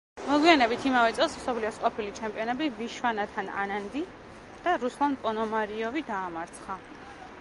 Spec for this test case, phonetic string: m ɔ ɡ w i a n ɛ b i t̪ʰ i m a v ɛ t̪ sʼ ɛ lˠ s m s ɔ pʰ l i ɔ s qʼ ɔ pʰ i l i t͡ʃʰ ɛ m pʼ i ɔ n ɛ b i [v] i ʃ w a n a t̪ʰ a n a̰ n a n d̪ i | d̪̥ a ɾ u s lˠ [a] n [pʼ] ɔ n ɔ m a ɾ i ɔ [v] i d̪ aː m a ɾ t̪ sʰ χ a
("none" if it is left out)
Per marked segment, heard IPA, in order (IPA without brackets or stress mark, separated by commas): v, a, pʼ, v